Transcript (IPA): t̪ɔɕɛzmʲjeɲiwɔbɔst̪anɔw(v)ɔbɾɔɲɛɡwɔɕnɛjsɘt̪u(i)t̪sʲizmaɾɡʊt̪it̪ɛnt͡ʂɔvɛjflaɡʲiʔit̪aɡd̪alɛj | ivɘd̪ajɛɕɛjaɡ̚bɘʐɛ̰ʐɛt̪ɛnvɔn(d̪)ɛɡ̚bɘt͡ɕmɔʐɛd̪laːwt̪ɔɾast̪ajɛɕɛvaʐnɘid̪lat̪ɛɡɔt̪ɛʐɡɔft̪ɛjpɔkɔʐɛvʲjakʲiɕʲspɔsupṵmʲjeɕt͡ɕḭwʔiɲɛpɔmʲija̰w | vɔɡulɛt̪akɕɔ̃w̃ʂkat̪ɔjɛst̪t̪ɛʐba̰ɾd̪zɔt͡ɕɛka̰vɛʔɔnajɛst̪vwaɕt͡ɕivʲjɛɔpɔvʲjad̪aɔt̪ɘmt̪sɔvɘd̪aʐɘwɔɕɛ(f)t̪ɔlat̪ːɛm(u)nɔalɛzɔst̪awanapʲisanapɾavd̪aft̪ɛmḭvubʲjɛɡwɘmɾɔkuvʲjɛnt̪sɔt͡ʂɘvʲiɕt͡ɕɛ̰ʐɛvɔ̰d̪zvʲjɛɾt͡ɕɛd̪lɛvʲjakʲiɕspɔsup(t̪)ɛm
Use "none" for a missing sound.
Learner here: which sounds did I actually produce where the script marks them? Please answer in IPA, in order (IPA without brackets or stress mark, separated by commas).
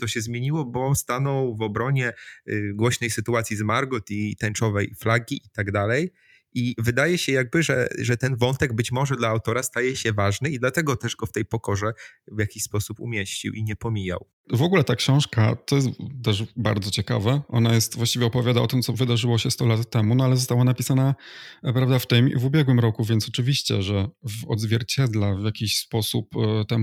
v, a, t̪, s, u, t̪